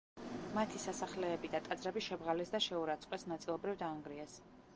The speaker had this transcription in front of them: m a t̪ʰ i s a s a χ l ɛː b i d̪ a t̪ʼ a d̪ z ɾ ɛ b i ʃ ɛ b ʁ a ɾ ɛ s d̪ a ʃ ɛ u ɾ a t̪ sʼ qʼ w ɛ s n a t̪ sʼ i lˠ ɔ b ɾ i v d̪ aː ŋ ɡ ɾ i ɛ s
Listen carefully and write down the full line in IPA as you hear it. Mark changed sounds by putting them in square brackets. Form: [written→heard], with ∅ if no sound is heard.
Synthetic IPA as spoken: m a t̪ʰ i s a s a χ l ɛː b i d̪ a t̪ʼ a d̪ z ɾ ɛ b i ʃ ɛ b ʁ a [ɾ→l] ɛ s d̪ a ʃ ɛ u ɾ a t̪ sʼ qʼ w ɛ s n a t̪ sʼ i lˠ ɔ b ɾ i v d̪ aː ŋ ɡ ɾ i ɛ s